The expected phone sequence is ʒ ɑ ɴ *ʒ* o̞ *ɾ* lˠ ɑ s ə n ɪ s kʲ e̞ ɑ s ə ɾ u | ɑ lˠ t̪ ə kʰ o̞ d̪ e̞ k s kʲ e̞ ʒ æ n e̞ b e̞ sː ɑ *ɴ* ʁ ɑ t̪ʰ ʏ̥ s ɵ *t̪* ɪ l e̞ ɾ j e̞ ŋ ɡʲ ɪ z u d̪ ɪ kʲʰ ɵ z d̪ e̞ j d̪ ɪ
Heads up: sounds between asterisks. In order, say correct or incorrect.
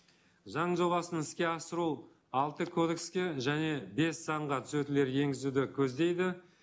correct, incorrect, correct, correct

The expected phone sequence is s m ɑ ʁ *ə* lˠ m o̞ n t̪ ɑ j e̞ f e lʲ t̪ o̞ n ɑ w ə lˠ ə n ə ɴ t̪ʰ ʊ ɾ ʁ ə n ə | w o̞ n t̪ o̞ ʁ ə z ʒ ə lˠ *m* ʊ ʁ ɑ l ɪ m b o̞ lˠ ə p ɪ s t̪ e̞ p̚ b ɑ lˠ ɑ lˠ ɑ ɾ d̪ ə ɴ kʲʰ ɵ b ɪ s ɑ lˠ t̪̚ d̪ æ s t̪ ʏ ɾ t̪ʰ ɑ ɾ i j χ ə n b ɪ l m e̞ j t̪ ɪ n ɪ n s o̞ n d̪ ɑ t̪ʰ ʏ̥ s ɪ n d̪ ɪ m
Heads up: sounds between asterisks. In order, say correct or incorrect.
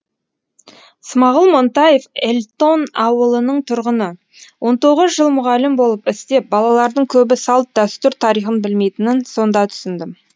correct, correct

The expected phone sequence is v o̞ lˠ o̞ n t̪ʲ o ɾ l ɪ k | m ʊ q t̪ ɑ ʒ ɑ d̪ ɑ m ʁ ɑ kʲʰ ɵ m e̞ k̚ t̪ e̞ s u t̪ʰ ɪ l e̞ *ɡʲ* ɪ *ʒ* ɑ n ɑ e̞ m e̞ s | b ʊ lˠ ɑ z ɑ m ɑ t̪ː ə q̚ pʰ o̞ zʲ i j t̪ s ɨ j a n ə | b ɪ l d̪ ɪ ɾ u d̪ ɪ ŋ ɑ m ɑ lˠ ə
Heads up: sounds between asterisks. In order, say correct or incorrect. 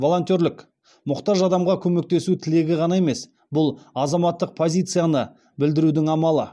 correct, incorrect

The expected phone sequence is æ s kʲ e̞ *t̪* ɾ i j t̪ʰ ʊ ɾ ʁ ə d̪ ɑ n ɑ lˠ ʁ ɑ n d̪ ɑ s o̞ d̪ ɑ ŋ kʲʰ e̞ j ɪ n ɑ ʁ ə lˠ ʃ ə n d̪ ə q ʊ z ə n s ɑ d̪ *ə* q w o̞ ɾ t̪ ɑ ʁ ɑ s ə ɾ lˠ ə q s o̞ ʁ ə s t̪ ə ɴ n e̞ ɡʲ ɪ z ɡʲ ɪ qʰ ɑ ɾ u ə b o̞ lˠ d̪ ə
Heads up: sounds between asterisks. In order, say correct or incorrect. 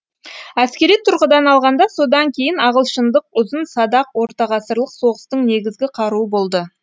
incorrect, incorrect

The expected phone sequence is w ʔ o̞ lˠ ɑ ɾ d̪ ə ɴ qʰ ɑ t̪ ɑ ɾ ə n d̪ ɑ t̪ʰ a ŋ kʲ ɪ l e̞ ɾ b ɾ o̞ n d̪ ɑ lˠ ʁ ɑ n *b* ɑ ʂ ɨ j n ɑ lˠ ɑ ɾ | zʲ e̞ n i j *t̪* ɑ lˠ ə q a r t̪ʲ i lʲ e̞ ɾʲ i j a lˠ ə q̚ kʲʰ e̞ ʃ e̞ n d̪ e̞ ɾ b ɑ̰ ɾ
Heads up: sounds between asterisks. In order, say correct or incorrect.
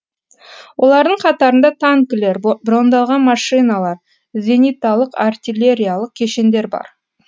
incorrect, correct

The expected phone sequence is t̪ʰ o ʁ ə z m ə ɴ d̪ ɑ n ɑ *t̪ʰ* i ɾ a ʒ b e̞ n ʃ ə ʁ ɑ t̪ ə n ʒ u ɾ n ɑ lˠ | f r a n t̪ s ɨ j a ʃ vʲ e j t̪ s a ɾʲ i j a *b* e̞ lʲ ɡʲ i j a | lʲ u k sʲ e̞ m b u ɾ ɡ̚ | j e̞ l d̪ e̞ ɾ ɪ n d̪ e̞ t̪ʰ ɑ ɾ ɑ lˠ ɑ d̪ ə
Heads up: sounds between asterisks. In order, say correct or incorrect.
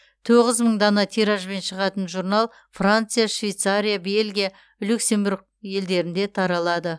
correct, correct

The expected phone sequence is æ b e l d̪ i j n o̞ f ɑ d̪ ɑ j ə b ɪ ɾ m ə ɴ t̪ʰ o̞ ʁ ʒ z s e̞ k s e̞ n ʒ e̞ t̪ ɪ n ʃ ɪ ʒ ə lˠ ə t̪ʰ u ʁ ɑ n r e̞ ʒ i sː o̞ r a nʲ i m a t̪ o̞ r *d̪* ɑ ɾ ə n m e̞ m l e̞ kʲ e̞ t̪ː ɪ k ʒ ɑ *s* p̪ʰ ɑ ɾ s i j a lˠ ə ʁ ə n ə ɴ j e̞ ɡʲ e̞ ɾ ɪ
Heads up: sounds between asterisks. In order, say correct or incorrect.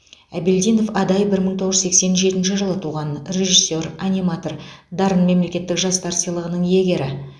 correct, correct

